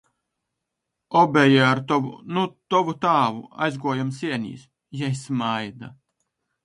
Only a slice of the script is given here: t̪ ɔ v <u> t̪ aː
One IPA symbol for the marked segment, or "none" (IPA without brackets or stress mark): u